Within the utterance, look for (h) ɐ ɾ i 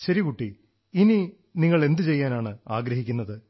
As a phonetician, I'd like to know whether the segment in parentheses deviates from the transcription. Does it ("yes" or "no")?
yes